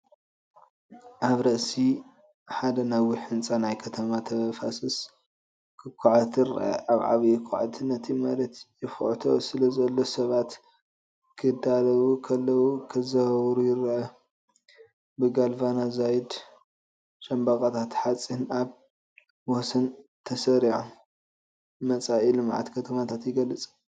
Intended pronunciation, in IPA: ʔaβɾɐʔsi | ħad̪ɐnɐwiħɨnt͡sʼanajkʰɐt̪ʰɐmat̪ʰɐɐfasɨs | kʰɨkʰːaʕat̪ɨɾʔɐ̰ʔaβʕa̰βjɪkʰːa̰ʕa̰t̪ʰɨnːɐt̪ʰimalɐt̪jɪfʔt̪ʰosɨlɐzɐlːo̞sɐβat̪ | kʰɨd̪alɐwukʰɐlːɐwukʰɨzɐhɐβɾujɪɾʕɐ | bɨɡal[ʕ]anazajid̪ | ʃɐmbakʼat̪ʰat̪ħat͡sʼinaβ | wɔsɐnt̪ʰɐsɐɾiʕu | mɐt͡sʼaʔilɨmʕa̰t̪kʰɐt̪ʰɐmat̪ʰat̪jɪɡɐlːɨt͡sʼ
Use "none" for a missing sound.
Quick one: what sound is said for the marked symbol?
v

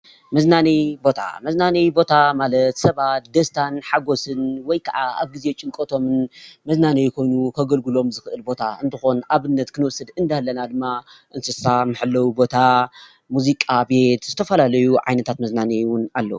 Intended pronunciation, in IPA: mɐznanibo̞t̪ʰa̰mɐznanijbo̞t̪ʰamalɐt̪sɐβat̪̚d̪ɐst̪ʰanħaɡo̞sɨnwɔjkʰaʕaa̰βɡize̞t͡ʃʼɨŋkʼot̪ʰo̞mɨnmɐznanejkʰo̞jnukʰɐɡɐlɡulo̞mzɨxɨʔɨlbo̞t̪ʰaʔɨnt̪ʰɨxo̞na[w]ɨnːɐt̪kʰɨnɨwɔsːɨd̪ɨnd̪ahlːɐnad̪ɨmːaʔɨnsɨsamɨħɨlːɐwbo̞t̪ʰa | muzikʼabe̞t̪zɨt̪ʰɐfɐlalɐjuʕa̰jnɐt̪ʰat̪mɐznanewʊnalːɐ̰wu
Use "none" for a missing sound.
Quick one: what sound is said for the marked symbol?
β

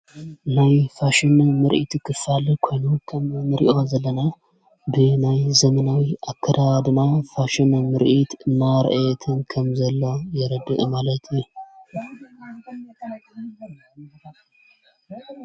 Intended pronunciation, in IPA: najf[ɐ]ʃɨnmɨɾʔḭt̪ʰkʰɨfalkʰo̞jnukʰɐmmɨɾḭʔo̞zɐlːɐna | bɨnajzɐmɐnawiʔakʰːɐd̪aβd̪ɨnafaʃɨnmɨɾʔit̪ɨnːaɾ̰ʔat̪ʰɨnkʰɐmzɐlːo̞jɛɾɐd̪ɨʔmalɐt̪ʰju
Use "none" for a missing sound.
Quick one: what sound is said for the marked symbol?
a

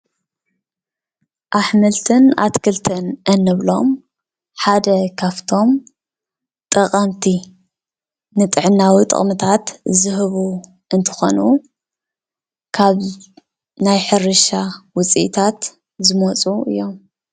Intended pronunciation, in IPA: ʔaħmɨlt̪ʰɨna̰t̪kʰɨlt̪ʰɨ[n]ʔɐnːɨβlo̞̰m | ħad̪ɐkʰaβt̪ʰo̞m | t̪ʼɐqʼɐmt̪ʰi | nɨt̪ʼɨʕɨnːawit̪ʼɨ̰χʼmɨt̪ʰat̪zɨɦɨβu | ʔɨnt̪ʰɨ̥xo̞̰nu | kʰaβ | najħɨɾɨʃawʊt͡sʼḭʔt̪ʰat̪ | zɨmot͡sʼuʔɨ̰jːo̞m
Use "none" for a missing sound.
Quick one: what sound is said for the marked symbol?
n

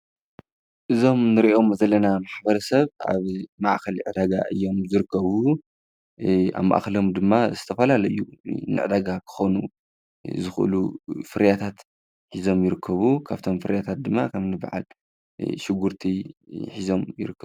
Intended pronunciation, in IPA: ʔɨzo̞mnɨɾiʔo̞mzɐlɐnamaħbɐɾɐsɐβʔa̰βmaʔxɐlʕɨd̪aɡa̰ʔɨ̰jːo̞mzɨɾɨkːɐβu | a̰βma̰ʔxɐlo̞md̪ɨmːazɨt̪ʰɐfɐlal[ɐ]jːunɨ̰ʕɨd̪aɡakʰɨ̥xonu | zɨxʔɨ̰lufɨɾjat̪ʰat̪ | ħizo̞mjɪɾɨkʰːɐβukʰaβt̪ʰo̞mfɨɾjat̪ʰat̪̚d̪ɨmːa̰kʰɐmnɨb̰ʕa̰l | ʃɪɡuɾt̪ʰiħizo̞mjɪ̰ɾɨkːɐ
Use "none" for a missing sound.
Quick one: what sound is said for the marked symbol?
ɐ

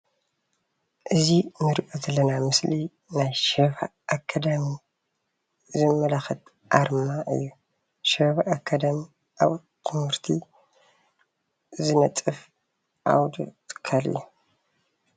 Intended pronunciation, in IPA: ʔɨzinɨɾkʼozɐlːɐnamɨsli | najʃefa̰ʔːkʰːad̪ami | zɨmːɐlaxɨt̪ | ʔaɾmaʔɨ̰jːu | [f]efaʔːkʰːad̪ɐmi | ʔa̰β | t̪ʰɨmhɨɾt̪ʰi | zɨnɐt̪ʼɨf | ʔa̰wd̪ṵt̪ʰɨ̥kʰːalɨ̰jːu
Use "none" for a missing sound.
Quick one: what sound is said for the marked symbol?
ʃ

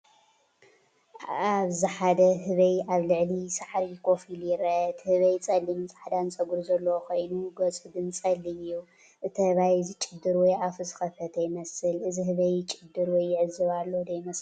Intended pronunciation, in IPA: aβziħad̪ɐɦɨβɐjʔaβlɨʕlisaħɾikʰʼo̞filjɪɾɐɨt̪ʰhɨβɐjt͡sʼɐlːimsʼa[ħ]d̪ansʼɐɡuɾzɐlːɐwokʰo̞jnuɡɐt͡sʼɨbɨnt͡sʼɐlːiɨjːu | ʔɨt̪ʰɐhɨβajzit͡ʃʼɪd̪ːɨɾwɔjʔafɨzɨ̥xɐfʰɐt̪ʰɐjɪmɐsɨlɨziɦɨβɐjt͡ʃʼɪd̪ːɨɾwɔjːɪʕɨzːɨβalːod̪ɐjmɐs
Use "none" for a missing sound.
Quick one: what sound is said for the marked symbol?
ħ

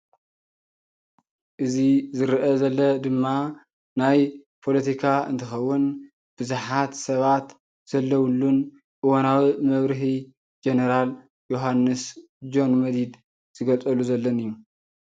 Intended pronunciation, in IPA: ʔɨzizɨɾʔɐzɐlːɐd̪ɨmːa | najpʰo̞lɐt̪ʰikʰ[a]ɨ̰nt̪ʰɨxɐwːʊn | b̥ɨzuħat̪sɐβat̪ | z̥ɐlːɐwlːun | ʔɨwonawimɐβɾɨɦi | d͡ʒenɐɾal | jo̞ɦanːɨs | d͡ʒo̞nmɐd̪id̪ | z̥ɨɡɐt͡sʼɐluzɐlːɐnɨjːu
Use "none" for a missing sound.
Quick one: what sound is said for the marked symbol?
a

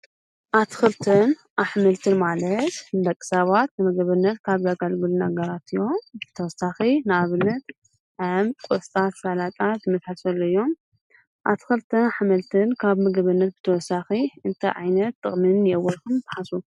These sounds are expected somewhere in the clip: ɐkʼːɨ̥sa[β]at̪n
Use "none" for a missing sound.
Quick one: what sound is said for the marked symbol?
β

